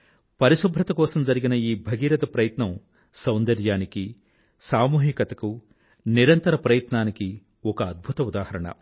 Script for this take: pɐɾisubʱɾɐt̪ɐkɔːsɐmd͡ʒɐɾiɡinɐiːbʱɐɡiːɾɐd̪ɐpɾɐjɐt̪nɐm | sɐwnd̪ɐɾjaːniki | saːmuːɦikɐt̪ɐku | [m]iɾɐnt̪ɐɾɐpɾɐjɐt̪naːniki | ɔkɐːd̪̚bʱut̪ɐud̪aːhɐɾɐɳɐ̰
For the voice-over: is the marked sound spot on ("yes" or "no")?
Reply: no